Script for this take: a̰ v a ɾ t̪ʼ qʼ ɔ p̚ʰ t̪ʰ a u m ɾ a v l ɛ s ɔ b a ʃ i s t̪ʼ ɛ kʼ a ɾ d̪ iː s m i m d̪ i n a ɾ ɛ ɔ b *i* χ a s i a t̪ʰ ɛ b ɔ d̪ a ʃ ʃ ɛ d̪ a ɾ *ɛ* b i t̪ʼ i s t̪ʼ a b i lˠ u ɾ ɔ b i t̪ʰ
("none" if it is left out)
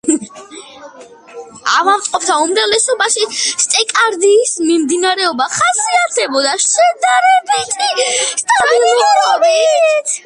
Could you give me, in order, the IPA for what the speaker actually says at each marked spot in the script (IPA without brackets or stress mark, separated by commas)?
a, ɛ